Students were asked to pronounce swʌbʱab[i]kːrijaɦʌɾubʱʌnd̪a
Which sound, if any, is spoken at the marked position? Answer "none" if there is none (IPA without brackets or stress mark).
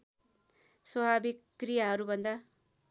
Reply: i